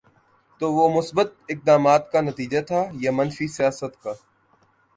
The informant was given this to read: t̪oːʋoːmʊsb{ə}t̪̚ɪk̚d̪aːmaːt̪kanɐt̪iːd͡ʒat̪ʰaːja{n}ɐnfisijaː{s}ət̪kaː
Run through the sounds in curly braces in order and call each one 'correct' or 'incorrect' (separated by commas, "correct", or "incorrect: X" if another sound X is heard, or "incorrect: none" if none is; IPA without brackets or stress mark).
correct, incorrect: m, correct